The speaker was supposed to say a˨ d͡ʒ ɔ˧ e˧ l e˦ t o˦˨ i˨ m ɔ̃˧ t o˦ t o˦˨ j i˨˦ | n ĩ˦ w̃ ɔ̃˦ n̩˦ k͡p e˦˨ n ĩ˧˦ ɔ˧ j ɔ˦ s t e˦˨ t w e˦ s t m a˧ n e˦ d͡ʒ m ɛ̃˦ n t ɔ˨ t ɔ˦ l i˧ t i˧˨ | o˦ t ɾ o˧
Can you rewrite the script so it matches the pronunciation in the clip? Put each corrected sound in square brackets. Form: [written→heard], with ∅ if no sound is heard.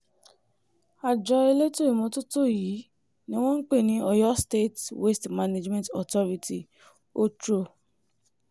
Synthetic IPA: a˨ d͡ʒ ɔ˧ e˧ l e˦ t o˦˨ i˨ m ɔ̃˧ t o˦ t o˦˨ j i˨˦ | n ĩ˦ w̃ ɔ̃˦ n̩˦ k͡p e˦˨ n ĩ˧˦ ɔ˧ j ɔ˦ s t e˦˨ t w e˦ s t m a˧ n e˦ d͡ʒ m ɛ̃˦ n t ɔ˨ t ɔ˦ [l→ɾ] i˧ t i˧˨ | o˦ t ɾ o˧